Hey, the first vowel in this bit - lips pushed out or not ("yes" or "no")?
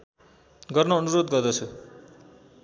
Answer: no